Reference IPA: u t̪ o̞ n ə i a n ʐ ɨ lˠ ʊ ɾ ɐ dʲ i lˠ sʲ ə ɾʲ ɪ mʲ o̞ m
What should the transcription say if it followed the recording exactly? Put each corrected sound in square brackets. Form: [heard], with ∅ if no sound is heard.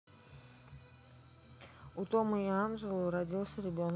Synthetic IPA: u t̪ o̞ [m] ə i a n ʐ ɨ lˠ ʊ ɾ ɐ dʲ i lˠ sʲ ə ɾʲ ɪ [bʲ] o̞ [n]